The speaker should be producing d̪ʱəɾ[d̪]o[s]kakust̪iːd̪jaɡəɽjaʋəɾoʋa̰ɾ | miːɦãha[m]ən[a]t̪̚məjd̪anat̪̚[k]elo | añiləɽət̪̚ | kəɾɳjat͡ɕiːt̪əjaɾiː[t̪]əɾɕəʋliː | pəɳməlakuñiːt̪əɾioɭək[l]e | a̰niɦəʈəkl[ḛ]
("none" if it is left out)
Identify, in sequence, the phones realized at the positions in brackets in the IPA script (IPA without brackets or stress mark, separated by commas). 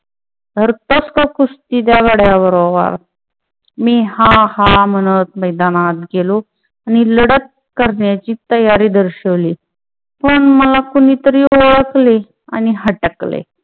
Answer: t̪, s, m, ə, ɡ, d̪, l, ḛ